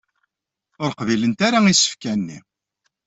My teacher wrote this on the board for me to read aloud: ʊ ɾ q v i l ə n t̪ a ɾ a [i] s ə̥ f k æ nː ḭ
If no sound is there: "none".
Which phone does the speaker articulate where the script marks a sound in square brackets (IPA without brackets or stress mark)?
i